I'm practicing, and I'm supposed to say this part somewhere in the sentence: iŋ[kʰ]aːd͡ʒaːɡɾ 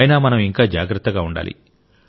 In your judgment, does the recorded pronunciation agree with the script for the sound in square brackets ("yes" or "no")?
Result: no